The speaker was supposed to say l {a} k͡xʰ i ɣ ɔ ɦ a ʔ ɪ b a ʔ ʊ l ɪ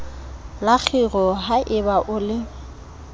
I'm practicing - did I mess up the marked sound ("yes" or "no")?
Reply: no